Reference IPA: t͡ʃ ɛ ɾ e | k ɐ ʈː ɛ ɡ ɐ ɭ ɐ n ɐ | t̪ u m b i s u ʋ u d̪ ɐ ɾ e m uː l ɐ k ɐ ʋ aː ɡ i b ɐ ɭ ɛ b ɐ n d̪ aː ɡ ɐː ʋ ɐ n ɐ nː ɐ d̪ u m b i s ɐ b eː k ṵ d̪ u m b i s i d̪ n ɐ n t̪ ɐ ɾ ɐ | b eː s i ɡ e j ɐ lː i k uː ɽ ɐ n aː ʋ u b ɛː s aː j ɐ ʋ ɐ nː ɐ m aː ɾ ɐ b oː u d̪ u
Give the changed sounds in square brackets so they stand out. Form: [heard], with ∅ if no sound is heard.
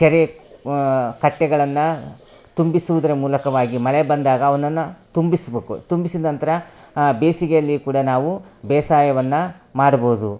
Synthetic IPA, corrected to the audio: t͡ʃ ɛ ɾ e | k ɐ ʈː ɛ ɡ ɐ ɭ ɐ [nː] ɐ | t̪ u m b i s u ʋ u d̪ ɐ ɾ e m uː l ɐ k ɐ ʋ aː ɡ i [m] ɐ ɭ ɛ b ɐ n d̪ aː ɡ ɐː ʋ ɐ n ɐ nː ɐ [t̪] u m b i s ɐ b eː k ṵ [t̪] u m b i s i d̪ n ɐ n t̪ ɐ ɾ ɐ | b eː s i ɡ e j ɐ lː i k uː ɽ ɐ n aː ʋ u b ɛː s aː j ɐ ʋ ɐ nː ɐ m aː [ɽ] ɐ b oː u d̪ u